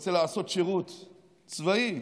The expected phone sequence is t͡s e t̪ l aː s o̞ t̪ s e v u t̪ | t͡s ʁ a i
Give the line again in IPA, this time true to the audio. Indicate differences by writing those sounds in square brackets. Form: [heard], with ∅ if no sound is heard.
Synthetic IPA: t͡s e [∅] l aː s o̞ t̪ [ʃ] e [ʁ] u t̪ | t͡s [v] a i